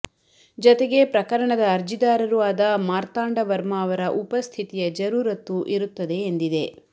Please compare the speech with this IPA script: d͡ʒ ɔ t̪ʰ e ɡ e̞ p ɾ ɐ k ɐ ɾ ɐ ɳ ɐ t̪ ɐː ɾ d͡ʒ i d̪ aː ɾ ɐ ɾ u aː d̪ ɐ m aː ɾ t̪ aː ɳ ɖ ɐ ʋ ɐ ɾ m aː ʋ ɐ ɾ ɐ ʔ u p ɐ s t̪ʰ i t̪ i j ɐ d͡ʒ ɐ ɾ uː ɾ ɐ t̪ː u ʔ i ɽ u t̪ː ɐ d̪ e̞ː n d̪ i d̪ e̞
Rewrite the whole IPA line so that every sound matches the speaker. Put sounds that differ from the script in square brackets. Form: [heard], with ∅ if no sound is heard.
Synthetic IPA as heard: d͡ʒ ɔ [t̪] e ɡ e̞ p ɾ ɐ k ɐ ɾ ɐ ɳ ɐ [d̪] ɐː ɾ d͡ʒ i d̪ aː ɾ ɐ ɾ u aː d̪ ɐ m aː ɾ t̪ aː ɳ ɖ ɐ ʋ ɐ ɾ m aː ʋ ɐ ɾ ɐ ʔ u p ɐ s t̪ʰ i t̪ i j ɐ d͡ʒ ɐ ɾ uː ɾ ɐ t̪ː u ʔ i [ɾ] u t̪ː ɐ d̪ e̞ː n d̪ i d̪ e̞